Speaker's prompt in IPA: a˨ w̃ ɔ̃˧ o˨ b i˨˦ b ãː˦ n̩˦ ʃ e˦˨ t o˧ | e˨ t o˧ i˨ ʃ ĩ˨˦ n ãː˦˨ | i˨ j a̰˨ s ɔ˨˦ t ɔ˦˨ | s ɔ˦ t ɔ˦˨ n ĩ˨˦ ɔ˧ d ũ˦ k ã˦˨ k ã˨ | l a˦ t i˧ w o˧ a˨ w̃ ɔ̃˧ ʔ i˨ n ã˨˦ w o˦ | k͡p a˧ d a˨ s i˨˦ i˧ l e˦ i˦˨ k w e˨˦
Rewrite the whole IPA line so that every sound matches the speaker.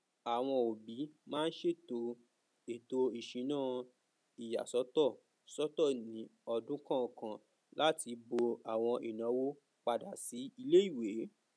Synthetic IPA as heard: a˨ w̃ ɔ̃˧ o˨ b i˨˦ m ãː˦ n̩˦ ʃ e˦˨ t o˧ | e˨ t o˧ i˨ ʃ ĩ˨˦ n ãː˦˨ | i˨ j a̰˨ s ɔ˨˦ t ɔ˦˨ | s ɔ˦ t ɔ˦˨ n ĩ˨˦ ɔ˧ d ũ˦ k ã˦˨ k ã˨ | l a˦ t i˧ b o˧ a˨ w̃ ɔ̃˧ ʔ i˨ n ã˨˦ w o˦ | k͡p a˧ d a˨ s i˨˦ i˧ l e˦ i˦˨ w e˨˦